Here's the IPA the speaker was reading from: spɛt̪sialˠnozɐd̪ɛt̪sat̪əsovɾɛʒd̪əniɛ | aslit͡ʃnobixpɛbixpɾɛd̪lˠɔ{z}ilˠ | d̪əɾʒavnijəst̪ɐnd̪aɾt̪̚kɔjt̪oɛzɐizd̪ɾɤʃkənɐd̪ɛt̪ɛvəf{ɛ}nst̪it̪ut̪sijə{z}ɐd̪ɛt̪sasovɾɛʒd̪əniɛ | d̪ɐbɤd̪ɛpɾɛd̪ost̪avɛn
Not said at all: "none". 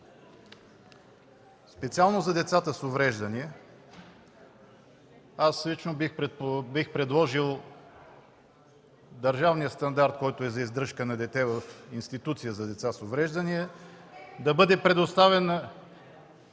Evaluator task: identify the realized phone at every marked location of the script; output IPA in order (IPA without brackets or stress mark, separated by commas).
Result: ʒ, i, z